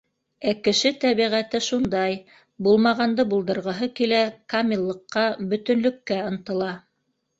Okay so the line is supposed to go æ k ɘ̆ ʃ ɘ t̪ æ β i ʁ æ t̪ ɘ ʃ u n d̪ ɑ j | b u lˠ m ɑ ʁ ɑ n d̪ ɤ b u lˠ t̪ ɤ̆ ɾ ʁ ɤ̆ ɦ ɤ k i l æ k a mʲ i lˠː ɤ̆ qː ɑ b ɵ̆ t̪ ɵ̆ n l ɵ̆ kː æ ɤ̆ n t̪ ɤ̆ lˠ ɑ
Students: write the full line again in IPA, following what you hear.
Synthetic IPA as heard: æ k ɘ̆ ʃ ɘ t̪ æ β i ʁ æ t̪ ɘ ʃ u n d̪ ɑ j | b u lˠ m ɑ ʁ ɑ n d̪ ɤ b u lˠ d̪ ɤ̆ ɾ ʁ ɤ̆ ɦ ɤ k i l æ k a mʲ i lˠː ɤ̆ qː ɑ b ɵ̆ t̪ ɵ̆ n l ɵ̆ kː æ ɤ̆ n t̪ ɤ̆ lˠ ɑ